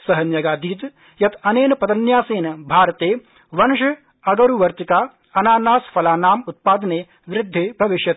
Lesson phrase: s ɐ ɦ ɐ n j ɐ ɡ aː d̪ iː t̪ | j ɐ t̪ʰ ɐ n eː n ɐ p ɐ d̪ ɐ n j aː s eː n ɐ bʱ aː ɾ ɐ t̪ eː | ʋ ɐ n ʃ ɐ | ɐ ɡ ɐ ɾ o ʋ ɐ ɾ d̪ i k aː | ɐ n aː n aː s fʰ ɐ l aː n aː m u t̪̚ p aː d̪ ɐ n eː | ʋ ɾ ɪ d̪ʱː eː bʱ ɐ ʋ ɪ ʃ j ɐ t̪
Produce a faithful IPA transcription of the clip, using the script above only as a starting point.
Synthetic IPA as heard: s ɐ ɦ ɐ n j ɐ ɡ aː d̪ iː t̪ | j ɐ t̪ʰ ɐ n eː n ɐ p ɐ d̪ ɐ n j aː s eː n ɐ bʱ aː ɾ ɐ t̪ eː | ʋ ɐ n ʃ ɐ | ɐ ɡ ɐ ɾ u ʋ ɐ ɾ t̪ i k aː | ɐ n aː n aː s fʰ ɐ l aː n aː m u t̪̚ p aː d̪ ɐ n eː | ʋ ɾ ɪ d̪ʱː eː bʱ ɐ ʋ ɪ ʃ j ɐ t̪